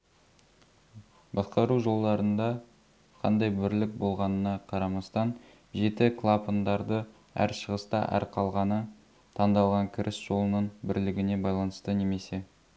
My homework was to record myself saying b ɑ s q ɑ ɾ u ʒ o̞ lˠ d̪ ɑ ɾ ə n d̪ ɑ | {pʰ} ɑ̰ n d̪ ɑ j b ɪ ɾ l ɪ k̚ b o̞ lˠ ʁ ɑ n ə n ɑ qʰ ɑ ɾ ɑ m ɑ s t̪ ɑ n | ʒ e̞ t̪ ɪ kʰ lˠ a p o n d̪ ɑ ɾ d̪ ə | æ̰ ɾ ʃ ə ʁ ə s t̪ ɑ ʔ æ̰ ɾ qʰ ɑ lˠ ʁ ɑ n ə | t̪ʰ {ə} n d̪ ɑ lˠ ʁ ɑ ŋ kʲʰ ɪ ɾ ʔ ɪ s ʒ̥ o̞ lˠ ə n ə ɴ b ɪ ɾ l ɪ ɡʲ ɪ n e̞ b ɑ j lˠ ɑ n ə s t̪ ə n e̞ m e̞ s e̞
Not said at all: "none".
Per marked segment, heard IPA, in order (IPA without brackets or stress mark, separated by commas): qʰ, ɑ